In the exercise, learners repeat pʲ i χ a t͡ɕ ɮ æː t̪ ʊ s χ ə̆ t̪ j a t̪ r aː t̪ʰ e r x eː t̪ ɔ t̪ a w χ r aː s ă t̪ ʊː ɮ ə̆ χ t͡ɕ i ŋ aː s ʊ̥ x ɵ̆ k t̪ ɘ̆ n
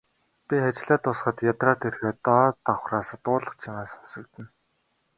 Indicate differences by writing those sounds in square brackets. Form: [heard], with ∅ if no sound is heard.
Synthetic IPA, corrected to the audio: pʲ i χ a t͡ɕ ɮ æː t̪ ʊ s χ ə̆ t̪ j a t̪ r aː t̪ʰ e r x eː t̪ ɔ t̪ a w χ r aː s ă t̪ ʊː ɮ ə̆ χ [t͡ɕʰ] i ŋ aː s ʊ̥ [s] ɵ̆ k t̪ ɘ̆ n